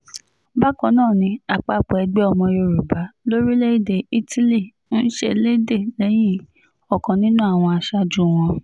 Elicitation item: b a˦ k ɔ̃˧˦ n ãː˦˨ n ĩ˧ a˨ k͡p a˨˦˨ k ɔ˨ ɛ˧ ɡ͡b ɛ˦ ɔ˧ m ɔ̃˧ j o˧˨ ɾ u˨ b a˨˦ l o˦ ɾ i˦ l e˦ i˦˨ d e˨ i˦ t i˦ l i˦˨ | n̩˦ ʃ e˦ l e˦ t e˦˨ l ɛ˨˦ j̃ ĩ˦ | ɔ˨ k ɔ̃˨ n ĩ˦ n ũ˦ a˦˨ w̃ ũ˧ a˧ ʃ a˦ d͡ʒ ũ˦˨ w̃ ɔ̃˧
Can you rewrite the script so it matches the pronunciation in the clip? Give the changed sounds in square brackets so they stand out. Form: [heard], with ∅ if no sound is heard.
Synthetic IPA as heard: b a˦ k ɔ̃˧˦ n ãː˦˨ n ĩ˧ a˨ k͡p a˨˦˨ [k͡p] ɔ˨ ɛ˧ ɡ͡b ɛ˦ ɔ˧ m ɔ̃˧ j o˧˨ ɾ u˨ b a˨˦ l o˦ ɾ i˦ l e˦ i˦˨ d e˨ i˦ t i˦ l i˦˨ | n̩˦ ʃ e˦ l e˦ [d] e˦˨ l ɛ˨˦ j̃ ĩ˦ | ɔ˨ k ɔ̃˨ n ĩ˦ n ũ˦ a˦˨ w̃ [ɔ̃˧] a˧ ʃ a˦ d͡ʒ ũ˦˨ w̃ ɔ̃˧